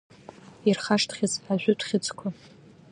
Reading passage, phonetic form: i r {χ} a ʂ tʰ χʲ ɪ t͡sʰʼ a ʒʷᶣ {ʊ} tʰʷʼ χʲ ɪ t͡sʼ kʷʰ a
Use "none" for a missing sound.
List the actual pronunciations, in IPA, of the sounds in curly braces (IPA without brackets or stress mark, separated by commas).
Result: χ, ʊ